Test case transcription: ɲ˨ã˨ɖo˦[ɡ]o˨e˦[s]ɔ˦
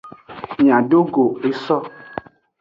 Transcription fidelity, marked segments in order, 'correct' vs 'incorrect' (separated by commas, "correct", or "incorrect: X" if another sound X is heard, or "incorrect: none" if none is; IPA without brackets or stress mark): correct, correct